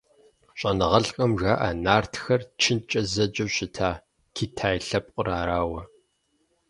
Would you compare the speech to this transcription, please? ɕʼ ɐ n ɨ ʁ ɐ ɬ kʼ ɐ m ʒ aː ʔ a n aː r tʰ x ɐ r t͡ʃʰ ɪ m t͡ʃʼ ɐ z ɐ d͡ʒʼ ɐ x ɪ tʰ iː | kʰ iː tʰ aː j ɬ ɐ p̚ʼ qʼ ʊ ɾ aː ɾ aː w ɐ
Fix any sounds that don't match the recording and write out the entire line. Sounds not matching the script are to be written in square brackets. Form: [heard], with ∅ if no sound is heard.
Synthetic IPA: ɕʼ ɐ n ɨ ʁ ɐ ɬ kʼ ɐ m ʒ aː ʔ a n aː r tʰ x ɐ r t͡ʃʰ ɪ [n] t͡ʃʼ ɐ z ɐ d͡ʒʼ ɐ [ɕ] ɪ tʰ [aː] | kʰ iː tʰ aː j ɬ ɐ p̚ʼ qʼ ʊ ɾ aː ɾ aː w ɐ

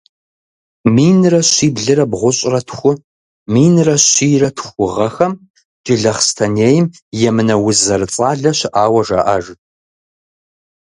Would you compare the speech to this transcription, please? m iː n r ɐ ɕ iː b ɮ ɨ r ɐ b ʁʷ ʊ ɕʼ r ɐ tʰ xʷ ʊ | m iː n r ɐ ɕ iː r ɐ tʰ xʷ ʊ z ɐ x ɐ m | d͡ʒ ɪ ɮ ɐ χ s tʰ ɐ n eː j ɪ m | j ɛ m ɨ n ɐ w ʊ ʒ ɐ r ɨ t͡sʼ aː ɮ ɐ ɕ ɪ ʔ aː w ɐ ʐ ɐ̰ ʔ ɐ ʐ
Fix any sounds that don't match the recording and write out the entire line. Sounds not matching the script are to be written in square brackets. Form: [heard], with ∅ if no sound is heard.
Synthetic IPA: m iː n r ɐ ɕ iː b ɮ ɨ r ɐ b ʁʷ ʊ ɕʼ r ɐ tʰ xʷ ʊ | m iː n r ɐ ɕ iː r ɐ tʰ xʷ ʊ [ʁ] ɐ x ɐ m | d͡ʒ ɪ ɮ ɐ χ s tʰ ɐ n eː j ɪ m | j ɛ m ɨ n ɐ w ʊ [z] ɐ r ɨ t͡sʼ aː ɮ ɐ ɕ ɪ ʔ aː w ɐ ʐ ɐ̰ ʔ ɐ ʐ

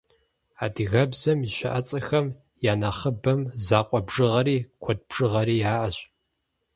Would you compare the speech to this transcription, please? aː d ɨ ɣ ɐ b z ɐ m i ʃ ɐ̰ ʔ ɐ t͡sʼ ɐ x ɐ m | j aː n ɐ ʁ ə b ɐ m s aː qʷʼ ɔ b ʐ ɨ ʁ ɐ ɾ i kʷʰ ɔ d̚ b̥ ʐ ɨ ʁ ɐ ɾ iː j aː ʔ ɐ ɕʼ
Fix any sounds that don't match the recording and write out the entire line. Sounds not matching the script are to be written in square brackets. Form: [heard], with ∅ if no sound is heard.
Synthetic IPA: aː d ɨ ɣ ɐ b z ɐ m i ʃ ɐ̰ ʔ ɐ t͡sʼ ɐ x ɐ m | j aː n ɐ [χ] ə b ɐ m [z] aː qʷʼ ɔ b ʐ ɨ ʁ ɐ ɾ [iː] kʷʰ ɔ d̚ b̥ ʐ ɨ ʁ ɐ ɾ iː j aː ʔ ɐ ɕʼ

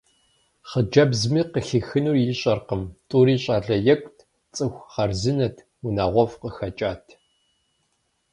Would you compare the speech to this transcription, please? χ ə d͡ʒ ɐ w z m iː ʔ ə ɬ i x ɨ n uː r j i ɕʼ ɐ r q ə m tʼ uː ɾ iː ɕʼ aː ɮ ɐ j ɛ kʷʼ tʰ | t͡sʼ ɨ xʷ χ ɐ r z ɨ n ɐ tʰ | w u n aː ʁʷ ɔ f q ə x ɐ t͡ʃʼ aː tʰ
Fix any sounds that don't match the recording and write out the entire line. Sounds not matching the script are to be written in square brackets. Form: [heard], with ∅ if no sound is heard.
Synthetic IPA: χ ə d͡ʒ ɐ [b] z m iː [q] ə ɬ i x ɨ n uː r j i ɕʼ ɐ r q ə m tʼ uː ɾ iː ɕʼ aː ɮ ɐ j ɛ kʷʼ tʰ | t͡sʼ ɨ xʷ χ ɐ r z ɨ n ɐ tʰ | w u n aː ʁʷ ɔ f q ə x ɐ t͡ʃʼ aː tʰ

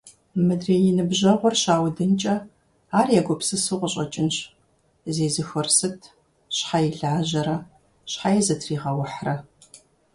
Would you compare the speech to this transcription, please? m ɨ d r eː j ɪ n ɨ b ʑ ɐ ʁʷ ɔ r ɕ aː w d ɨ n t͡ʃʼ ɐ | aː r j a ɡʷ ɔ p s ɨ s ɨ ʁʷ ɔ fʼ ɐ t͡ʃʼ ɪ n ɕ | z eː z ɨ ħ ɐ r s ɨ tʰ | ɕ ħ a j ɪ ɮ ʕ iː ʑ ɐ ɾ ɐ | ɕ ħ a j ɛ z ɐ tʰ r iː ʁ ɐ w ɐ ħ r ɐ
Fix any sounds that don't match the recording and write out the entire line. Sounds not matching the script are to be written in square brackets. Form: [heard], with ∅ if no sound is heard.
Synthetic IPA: m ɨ d r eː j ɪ n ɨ b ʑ ɐ ʁʷ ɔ r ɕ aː w d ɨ n t͡ʃʼ ɐ | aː r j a ɡʷ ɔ p s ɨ s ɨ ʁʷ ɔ [ɕʼ] ɐ t͡ʃʼ ɪ n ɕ | z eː z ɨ [x] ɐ r s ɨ tʰ | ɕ ħ a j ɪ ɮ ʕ [aː] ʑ ɐ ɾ ɐ | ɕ ħ a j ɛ z ɐ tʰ r iː ʁ ɐ w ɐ ħ r ɐ

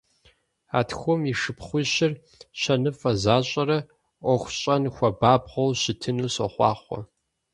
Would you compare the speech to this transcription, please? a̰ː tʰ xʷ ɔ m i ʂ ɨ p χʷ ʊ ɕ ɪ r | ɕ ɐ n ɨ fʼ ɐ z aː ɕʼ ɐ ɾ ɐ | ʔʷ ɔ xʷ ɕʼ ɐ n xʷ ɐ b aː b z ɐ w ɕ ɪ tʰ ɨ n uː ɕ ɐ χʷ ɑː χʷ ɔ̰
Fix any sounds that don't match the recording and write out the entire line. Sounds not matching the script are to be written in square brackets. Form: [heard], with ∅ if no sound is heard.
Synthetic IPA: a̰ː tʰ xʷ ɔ m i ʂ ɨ p χʷ ʊ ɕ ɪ r | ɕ ɐ n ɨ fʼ ɐ z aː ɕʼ ɐ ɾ ɐ | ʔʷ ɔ xʷ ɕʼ ɐ n xʷ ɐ b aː b [ʁ] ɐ w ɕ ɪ tʰ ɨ n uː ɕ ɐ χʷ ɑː χʷ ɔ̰

